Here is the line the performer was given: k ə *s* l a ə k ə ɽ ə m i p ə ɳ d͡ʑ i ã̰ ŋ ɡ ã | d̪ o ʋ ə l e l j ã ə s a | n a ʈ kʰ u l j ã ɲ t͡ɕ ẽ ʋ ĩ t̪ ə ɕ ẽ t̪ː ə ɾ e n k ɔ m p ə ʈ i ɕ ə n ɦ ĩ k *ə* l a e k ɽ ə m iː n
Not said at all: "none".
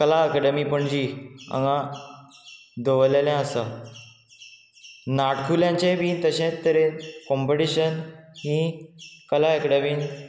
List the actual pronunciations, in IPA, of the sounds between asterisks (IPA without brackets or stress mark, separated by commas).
none, ə